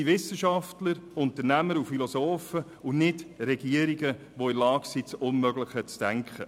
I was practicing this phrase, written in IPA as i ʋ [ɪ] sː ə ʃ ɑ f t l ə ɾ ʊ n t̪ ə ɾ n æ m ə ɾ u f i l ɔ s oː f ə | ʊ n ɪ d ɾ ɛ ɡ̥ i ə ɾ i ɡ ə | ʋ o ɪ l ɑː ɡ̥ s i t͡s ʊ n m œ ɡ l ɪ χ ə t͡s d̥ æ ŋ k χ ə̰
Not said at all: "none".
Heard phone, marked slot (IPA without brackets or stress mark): ɪ